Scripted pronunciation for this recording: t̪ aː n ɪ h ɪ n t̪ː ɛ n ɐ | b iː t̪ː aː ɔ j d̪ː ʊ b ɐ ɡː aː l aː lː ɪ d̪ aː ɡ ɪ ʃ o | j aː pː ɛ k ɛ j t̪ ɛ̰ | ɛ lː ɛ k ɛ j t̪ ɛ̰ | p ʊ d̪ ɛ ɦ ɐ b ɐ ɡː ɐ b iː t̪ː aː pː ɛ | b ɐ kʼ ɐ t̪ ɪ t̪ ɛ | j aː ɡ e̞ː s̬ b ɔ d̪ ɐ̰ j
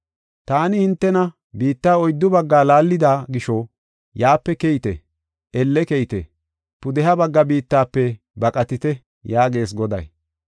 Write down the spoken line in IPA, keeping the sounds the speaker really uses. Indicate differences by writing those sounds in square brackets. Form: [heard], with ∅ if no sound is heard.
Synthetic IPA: t̪ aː n ɪ h ɪ n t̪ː ɛ n ɐ | b iː t̪ː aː ɔ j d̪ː ʊ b ɐ ɡː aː l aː lː ɪ d̪ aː ɡ ɪ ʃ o | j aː pː ɛ k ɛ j t̪ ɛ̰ | ɛ lː ɛ k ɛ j t̪ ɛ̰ | p ʊ d̪ ɛ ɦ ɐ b ɐ ɡː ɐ b iː t̪ː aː pː ɛ | b ɐ kʼ ɐ t̪ ɪ t̪ ɛ | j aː ɡ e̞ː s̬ [ɡ] ɔ d̪ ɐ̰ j